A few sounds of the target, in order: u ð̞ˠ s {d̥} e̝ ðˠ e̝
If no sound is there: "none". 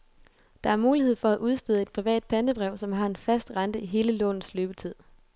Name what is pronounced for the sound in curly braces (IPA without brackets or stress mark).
d̥